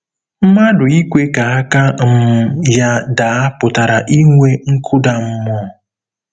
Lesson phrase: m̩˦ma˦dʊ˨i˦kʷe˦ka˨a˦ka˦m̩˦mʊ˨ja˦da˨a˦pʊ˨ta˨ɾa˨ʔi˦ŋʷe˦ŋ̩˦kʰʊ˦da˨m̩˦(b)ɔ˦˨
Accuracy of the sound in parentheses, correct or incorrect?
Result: incorrect